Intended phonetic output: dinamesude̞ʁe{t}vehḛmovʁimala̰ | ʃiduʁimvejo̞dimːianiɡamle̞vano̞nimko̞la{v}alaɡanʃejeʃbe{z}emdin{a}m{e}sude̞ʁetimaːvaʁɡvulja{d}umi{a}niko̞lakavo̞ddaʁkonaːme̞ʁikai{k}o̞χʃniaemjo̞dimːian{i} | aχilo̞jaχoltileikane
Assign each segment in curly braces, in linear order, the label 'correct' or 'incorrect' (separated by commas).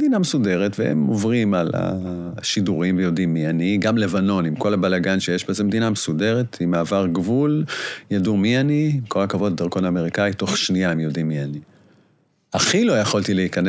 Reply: correct, incorrect, correct, correct, correct, correct, correct, incorrect, correct